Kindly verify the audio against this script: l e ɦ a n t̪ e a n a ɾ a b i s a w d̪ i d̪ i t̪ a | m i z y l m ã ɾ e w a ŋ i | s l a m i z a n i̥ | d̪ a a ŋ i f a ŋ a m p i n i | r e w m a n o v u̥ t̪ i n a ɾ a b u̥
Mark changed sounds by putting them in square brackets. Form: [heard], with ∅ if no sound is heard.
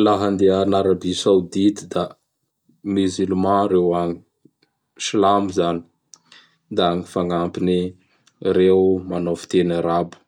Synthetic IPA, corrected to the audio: l [a] ɦ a n [d̪] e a n a ɾ a b i s a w d̪ i [t̪] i [d̪] a | m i z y l m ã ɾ e w a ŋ i | s l a m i z a n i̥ | d̪ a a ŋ i f a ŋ a m p i n i | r e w m a n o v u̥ t̪ [e] n a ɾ a b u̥